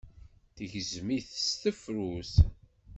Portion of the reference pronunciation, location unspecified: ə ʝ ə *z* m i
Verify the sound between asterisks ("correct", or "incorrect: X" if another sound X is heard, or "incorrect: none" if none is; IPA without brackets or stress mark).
correct